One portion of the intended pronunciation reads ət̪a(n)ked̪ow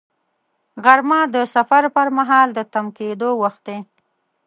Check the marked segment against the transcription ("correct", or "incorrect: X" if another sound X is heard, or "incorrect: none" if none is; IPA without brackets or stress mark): incorrect: m